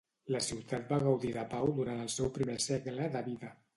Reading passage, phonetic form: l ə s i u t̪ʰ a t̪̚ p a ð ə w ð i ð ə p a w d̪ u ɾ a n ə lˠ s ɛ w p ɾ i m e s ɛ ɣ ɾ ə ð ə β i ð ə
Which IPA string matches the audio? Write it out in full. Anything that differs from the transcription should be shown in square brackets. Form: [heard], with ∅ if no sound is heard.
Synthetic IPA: l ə s i [w] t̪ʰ a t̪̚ [b] a [ɣ] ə w ð i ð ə p a w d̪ u ɾ a n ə lˠ s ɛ w p ɾ i m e s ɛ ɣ [l] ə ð ə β i ð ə